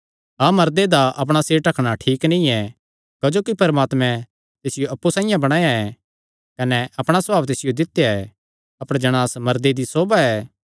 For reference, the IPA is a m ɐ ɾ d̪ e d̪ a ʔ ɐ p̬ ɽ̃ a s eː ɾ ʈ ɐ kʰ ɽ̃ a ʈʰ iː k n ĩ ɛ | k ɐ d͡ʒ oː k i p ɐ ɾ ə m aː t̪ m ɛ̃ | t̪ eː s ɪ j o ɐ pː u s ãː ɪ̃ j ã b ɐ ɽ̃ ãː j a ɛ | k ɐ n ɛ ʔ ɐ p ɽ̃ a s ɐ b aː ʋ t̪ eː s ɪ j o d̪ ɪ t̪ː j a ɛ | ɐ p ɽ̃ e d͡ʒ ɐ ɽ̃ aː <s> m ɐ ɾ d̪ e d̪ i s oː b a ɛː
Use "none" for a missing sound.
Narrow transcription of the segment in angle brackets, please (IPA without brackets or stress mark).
s